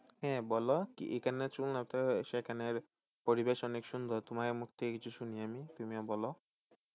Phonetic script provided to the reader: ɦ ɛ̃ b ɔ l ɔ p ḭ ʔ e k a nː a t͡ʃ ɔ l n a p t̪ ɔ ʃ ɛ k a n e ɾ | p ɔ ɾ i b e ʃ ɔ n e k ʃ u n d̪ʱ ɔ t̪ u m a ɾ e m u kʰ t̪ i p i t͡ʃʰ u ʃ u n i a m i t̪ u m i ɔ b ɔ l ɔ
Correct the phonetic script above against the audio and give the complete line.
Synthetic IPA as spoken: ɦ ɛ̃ b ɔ l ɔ k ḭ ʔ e k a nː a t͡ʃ u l n a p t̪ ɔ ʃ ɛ k a n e ɾ | p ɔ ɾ i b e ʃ ɔ n e k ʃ u n d̪ʱ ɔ t̪ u m a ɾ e m u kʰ t̪ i k i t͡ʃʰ u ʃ u n i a m i t̪ u m i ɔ b ɔ l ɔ